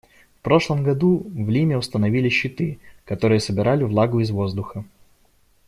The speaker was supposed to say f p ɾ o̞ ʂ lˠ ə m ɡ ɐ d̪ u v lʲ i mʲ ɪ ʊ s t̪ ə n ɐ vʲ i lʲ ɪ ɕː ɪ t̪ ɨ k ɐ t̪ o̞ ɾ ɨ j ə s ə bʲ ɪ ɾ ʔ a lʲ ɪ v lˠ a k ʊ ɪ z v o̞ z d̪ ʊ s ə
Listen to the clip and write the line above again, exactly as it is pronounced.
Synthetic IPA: f p ɾ o̞ ʂ lˠ ə m ɡ ɐ d̪ u v lʲ i mʲ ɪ ʊ s t̪ ə n ɐ vʲ i lʲ ɪ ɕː ɪ t̪ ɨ k ɐ t̪ o̞ ɾ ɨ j ə s ə bʲ ɪ ɾ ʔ a lʲ ɪ v lˠ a ɡ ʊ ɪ z v o̞ z d̪ ʊ x ə